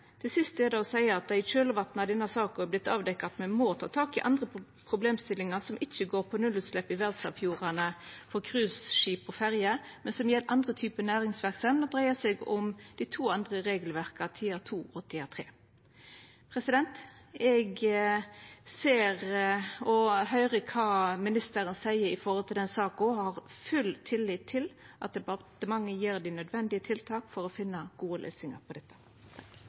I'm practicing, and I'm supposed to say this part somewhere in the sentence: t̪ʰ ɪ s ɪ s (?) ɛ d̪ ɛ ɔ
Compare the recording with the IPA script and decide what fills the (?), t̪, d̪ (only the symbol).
t̪